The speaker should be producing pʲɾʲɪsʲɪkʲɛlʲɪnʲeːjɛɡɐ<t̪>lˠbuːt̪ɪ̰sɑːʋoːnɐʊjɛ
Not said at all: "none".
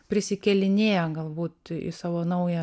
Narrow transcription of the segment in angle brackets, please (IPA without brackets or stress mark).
none